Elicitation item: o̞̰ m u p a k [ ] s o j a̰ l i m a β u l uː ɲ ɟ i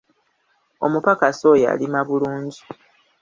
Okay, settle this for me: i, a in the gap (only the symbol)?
a